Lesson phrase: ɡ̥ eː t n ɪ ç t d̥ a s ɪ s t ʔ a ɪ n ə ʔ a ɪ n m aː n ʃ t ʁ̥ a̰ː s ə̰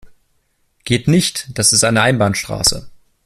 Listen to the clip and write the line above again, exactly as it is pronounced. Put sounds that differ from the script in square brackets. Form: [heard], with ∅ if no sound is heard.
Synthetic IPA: ɡ̥ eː t n ɪ ç t d̥ a s ɪ s t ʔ a ɪ n ə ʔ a ɪ n [b] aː n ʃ t ʁ̥ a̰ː s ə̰